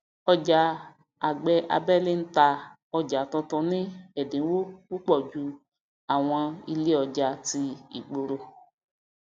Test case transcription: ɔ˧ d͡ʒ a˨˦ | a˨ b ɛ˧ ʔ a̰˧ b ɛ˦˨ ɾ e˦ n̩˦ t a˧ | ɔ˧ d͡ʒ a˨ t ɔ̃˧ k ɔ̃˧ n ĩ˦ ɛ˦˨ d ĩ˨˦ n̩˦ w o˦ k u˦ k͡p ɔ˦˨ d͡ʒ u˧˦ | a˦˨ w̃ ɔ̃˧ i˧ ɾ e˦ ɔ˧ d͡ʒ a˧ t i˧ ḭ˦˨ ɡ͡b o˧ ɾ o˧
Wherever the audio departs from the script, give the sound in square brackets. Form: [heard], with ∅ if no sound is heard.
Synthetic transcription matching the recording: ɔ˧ d͡ʒ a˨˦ | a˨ [ɡ͡b] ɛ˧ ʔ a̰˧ b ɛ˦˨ [l] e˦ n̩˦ t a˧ | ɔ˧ d͡ʒ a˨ t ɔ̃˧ [t] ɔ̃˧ n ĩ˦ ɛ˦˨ d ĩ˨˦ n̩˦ w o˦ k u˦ k͡p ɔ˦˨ d͡ʒ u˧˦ | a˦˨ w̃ ɔ̃˧ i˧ [l] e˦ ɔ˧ d͡ʒ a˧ t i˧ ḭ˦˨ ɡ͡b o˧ ɾ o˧